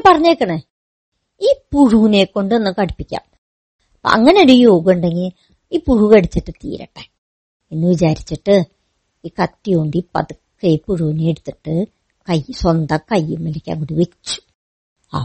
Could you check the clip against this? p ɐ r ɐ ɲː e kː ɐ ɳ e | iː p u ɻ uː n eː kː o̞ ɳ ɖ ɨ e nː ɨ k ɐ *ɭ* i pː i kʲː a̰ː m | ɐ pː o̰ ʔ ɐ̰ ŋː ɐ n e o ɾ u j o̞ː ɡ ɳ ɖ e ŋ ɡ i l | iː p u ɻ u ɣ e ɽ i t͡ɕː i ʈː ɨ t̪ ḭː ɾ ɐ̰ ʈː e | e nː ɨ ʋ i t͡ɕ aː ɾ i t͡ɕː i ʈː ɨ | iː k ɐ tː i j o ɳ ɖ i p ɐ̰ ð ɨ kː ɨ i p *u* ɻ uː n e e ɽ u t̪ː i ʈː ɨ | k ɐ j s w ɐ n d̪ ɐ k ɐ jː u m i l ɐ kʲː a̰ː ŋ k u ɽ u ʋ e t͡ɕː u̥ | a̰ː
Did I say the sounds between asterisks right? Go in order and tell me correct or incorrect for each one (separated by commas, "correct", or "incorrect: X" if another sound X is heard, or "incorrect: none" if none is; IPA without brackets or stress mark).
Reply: incorrect: ɽ, correct